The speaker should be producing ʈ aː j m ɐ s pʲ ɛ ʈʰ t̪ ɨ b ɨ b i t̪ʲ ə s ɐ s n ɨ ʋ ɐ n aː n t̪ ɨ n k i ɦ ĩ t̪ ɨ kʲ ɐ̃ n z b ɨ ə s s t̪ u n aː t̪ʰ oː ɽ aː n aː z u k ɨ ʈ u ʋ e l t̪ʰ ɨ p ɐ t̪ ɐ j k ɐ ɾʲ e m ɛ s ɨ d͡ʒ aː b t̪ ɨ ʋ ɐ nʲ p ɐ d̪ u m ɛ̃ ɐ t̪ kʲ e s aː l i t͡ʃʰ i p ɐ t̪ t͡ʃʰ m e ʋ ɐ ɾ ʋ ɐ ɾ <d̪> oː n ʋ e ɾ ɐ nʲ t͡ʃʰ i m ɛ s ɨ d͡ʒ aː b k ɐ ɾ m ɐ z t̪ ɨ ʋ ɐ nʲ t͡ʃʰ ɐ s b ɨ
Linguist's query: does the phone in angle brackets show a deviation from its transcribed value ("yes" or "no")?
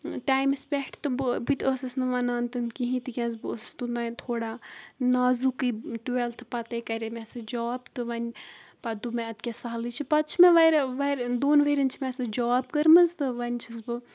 no